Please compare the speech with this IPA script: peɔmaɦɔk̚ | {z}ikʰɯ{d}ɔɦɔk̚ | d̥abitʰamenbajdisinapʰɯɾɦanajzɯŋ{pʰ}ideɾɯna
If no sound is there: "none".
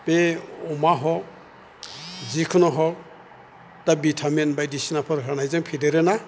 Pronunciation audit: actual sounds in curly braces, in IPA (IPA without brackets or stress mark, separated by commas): z, n, pʰ